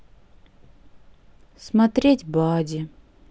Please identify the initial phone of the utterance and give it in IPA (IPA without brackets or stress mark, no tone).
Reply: s